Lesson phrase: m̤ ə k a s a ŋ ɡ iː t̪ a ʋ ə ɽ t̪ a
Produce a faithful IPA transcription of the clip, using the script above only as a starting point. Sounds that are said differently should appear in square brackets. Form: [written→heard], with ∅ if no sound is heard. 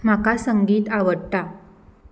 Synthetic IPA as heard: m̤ [ə→a] k a s [a→ə] ŋ ɡ iː t̪ a ʋ ə ɽ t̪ a